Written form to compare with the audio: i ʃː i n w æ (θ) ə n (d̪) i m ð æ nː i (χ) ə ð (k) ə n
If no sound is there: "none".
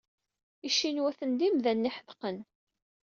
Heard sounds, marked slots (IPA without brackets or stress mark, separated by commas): θ, d̪, ħ, q